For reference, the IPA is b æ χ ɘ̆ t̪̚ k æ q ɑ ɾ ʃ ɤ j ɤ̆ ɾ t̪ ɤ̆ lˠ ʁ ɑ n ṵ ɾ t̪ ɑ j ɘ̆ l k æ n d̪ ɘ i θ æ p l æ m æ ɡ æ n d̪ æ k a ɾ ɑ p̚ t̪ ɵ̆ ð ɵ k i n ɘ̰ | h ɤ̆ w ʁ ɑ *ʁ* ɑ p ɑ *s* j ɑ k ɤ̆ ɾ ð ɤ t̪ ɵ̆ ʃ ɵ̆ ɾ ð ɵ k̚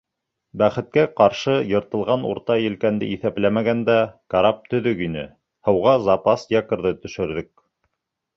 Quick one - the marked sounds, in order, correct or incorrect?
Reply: incorrect: z, correct

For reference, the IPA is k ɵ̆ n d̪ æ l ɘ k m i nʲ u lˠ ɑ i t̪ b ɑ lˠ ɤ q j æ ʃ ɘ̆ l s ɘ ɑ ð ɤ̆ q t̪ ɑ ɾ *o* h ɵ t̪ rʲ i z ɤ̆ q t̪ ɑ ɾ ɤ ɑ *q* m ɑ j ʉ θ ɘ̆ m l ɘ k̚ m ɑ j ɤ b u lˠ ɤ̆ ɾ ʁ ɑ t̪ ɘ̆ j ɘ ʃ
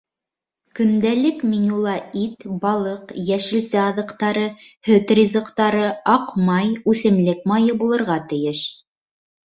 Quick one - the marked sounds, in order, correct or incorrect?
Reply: incorrect: ɤ, correct

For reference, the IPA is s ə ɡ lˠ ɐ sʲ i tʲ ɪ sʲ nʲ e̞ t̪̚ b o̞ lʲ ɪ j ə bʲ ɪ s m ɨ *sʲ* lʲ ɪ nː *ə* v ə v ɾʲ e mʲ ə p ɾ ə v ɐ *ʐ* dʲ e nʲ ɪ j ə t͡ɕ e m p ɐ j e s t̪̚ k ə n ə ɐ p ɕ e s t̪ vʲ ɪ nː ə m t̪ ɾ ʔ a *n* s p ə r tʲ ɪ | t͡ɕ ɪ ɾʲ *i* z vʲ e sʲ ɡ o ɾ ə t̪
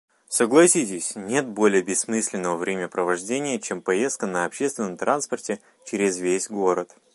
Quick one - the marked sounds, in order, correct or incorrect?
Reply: correct, correct, correct, correct, incorrect: ɪ

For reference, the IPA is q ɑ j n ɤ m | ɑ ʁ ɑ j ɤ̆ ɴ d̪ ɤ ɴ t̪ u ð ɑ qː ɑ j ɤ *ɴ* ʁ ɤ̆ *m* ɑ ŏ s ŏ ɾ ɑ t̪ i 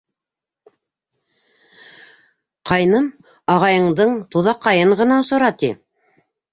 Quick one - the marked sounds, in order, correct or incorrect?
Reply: correct, incorrect: n

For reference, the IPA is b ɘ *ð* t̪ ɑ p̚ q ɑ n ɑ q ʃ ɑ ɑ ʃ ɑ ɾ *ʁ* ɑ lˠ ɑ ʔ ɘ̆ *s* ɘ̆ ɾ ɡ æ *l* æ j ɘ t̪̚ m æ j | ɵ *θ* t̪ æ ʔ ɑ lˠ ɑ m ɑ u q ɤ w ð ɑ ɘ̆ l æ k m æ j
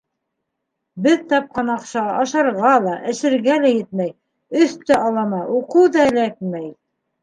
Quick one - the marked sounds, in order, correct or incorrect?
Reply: correct, correct, incorrect: ʃ, correct, correct

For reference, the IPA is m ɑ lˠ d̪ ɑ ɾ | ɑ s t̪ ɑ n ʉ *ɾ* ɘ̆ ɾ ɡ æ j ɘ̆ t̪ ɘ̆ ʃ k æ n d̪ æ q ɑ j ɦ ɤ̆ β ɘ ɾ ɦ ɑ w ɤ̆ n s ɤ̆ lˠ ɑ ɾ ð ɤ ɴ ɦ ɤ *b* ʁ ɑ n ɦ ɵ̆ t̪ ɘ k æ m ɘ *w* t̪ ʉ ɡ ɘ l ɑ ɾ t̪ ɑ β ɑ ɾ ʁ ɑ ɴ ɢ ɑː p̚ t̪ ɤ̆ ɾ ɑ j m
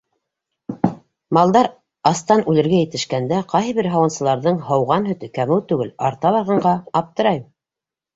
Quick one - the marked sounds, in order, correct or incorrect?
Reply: incorrect: l, incorrect: w, correct

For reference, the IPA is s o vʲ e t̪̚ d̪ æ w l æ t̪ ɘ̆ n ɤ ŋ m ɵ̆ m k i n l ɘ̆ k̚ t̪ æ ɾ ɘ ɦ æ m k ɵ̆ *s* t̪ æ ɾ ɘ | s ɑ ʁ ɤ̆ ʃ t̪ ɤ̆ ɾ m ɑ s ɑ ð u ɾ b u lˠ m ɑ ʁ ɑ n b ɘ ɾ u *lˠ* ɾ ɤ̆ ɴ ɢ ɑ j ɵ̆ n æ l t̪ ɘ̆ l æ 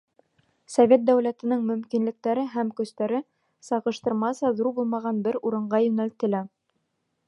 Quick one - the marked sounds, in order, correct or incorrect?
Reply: correct, incorrect: none

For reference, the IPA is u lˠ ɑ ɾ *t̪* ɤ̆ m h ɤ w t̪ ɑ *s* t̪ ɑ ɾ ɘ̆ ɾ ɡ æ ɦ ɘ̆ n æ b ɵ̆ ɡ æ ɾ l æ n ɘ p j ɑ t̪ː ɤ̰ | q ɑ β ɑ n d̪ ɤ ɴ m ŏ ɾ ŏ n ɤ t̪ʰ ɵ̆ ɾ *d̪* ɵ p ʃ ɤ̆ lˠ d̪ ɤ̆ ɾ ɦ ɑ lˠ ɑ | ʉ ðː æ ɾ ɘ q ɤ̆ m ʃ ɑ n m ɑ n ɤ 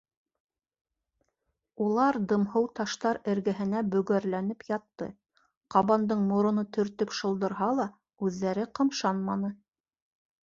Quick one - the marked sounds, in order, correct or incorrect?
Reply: incorrect: d̪, incorrect: ʃ, incorrect: t̪

